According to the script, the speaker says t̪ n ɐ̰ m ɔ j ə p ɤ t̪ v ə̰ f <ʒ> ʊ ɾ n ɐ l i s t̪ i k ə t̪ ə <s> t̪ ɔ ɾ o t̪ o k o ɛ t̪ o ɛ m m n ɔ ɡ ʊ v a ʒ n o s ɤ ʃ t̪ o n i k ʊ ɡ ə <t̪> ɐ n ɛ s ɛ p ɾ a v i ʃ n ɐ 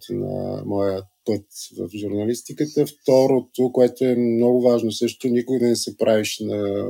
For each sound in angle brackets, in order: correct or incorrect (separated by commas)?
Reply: correct, incorrect, incorrect